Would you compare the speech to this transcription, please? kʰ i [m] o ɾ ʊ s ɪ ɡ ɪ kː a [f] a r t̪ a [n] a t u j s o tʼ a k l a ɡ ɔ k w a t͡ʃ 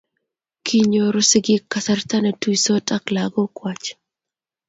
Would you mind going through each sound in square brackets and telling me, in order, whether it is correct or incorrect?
incorrect, incorrect, correct

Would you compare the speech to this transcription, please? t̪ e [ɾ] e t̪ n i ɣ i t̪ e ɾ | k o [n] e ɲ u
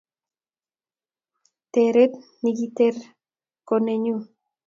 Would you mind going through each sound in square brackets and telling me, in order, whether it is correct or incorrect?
correct, correct

